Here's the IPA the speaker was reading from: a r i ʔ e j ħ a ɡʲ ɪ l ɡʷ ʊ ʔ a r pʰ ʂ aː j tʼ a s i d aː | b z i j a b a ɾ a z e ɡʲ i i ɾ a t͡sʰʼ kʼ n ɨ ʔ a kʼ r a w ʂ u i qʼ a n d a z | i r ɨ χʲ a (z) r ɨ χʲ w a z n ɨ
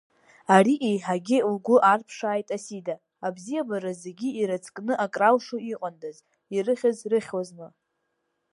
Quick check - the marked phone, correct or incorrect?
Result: correct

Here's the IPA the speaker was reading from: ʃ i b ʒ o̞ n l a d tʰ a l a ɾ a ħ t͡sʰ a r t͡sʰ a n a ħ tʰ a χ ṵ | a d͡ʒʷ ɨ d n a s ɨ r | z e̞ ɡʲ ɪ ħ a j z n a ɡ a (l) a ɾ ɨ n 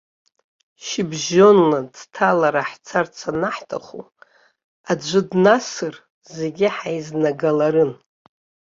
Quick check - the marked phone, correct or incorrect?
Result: correct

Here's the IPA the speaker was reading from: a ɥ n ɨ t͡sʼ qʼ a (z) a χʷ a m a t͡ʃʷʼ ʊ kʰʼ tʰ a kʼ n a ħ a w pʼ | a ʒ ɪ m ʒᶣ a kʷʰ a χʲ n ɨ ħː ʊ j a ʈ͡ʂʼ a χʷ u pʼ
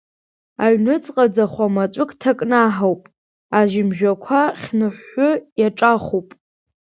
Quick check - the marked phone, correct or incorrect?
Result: incorrect: d͡z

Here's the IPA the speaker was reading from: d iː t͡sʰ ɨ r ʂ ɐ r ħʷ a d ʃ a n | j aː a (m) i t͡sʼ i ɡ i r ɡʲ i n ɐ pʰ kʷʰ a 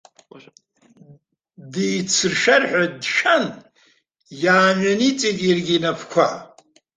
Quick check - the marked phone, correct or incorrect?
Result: incorrect: n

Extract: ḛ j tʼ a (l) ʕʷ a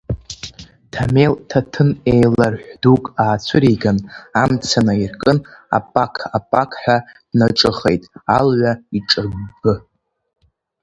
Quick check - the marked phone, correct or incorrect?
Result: correct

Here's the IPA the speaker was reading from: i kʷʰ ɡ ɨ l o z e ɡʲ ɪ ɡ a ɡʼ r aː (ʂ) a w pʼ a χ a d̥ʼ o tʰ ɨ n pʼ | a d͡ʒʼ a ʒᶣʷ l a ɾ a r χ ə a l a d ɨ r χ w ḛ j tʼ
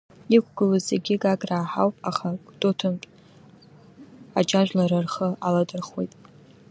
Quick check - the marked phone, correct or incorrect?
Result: incorrect: ħ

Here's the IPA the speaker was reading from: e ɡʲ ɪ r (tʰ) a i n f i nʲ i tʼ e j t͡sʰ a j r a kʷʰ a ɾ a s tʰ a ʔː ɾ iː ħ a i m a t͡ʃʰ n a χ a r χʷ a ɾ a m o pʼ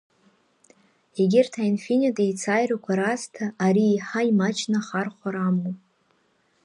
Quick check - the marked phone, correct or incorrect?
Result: correct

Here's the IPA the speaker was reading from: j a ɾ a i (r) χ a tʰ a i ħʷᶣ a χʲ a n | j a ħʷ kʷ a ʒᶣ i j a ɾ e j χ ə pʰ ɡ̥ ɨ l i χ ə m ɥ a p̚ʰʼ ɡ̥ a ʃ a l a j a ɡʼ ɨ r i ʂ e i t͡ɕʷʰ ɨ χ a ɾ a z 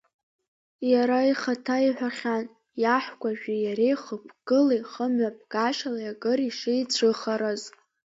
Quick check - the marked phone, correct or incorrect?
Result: incorrect: none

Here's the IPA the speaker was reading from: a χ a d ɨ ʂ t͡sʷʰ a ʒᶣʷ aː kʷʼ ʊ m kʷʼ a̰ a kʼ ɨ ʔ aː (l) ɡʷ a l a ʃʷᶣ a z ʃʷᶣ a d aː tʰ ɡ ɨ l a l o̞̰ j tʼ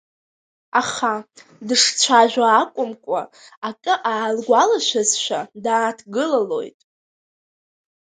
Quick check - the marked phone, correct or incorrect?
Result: correct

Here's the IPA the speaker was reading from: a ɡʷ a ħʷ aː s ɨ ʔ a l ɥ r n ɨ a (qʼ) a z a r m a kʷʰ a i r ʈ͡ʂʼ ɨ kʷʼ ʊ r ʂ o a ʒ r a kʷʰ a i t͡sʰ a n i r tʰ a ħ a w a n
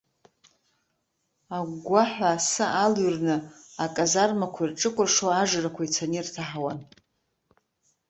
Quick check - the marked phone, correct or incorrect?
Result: incorrect: kʼ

